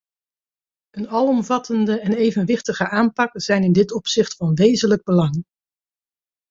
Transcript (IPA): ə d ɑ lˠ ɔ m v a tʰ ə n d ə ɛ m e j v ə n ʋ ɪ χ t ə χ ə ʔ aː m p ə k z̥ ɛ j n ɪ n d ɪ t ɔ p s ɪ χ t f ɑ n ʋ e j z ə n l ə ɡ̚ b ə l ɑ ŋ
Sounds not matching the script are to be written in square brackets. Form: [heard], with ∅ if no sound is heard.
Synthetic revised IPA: ə [n] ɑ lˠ ɔ m v [ɑ] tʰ ə n d ə ɛ [n] e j v ə n ʋ ɪ χ t ə χ ə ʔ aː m p [ɑ] k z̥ ɛ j n ɪ n d ɪ t ɔ p s ɪ χ t f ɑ n ʋ e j z ə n l ə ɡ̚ b ə l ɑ ŋ